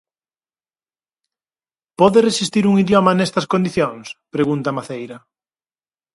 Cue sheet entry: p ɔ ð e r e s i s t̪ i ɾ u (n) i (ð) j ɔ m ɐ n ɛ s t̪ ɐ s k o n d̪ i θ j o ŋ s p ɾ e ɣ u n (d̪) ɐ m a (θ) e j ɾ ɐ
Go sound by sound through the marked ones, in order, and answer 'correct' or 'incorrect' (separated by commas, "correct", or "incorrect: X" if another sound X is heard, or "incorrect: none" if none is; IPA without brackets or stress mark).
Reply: incorrect: ŋ, correct, incorrect: t̪, correct